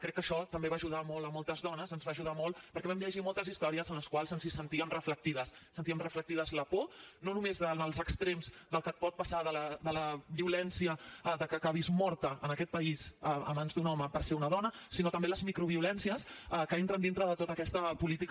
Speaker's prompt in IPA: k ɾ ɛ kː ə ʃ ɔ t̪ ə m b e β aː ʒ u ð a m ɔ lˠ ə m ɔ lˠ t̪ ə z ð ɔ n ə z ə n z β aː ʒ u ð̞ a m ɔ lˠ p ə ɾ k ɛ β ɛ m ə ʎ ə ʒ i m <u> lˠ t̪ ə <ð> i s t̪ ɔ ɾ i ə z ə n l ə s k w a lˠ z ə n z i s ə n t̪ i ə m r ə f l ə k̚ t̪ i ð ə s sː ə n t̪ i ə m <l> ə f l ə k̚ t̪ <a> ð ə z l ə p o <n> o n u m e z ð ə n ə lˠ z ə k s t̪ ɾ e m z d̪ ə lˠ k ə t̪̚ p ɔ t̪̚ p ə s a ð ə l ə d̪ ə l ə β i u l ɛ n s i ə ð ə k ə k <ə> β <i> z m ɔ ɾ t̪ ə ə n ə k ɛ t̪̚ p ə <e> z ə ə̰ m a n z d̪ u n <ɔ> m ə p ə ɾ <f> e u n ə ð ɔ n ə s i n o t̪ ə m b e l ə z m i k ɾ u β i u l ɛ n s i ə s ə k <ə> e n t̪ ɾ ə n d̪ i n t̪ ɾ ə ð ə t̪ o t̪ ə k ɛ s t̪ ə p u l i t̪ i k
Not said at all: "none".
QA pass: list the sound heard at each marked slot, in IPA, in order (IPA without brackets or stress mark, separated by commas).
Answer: ɔ, z, r, i, n, a, i, i, ɔ, s, ə